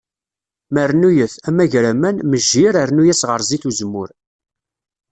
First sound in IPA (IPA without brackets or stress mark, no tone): m